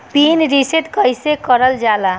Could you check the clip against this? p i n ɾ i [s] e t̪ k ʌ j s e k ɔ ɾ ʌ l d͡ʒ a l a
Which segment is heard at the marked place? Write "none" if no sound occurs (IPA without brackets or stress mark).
s